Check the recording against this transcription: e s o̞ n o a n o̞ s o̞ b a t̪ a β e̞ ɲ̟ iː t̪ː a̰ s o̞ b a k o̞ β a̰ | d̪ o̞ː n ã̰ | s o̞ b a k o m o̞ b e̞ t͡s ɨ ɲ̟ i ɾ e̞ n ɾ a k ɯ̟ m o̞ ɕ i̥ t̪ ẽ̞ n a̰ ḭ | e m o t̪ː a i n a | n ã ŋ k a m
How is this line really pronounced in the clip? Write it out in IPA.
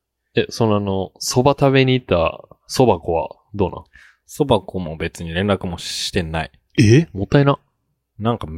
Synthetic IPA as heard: e s o̞ n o a n o̞ s o̞ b a t̪ a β e̞ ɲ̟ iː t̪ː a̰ s o̞ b a k o̞ β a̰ | d̪ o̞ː n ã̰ | s o̞ b a k o m o̞ b e̞ t͡s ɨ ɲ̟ i ɾ ẽ̞ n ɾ a k ɯ̟ m o̞ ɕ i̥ t̪ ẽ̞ n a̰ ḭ | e m o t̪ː a i n a | n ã ŋ k a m